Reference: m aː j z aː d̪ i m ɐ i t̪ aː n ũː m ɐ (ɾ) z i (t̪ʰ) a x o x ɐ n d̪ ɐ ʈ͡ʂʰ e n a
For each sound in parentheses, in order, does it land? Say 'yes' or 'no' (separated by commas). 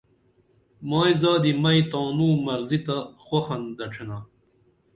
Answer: yes, no